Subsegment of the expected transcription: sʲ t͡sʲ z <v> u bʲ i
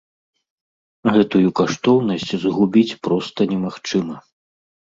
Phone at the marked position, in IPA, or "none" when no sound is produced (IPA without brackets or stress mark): ɣ